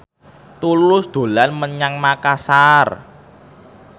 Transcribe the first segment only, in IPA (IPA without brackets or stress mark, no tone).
t̪